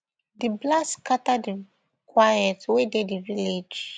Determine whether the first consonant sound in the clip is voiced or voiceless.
voiced